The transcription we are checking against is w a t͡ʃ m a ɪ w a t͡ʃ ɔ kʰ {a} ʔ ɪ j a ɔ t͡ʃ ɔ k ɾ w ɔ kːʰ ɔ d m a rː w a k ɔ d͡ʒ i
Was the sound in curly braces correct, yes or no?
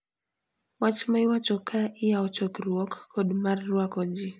yes